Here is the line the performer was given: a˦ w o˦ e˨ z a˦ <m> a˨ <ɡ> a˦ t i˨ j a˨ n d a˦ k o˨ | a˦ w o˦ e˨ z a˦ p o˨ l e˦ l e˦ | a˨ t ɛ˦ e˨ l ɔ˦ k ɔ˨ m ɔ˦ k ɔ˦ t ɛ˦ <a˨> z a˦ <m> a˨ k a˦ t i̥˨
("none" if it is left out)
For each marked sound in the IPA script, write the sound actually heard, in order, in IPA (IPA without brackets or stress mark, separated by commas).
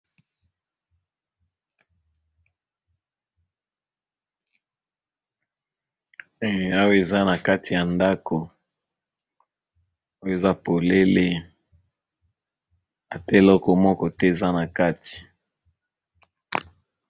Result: n, k, e˨, n